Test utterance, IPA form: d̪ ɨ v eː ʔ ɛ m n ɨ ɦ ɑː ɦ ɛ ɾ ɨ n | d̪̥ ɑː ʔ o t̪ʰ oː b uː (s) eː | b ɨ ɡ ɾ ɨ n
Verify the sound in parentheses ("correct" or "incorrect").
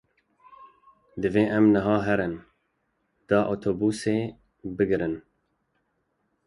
correct